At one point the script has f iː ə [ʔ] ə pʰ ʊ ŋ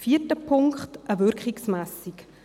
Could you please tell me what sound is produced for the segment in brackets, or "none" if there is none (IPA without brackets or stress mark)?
t